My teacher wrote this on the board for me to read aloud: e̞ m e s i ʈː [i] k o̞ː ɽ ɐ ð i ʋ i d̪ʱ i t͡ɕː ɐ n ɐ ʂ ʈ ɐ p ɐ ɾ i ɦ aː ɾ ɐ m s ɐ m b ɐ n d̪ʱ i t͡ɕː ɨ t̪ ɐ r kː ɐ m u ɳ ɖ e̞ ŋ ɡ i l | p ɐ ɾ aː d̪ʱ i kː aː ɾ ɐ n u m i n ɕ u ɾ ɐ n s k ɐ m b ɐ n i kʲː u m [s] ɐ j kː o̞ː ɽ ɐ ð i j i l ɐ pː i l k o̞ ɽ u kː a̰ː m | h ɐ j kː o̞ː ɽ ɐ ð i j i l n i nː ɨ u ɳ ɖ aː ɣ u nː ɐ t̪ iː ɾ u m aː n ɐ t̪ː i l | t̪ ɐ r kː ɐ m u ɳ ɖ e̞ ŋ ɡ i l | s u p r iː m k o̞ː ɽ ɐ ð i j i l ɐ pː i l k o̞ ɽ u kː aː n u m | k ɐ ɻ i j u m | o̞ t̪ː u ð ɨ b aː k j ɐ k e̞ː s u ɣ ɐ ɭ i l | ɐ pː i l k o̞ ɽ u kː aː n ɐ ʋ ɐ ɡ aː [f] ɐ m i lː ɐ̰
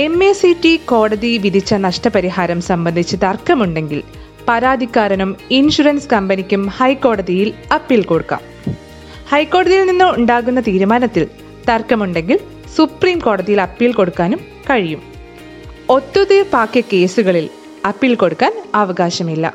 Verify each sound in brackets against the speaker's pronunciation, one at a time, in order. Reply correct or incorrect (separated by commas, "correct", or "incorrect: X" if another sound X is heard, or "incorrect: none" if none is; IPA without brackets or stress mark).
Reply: correct, incorrect: h, incorrect: ɕ